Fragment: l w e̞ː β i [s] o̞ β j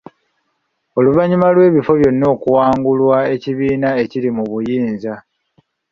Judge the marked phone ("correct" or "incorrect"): incorrect